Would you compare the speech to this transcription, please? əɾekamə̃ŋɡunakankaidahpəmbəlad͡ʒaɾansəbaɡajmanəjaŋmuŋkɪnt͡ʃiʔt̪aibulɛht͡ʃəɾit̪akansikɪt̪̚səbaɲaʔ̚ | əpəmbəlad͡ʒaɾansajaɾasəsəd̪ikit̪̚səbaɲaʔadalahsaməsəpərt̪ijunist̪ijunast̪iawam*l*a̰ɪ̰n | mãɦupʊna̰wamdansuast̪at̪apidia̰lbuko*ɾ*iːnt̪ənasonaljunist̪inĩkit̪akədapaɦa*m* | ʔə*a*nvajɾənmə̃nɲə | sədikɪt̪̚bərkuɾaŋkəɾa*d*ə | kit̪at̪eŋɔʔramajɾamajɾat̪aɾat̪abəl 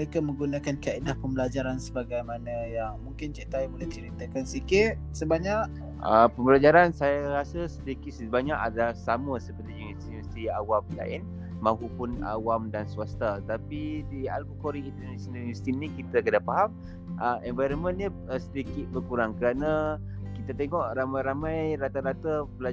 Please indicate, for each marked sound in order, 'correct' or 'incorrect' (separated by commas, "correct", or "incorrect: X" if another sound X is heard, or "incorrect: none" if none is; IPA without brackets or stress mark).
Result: correct, correct, correct, incorrect: ɛ, incorrect: n